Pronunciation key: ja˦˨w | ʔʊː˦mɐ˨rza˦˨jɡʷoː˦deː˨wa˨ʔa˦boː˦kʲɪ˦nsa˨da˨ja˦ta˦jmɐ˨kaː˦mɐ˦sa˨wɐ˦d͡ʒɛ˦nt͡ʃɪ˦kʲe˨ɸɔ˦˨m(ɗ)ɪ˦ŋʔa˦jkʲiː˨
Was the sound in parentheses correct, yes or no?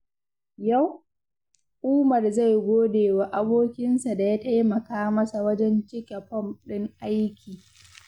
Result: yes